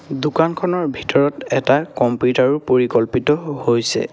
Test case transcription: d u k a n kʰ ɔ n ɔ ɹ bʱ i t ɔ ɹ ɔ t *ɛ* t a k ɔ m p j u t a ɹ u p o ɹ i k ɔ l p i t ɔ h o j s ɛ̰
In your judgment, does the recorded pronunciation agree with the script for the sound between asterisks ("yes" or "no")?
yes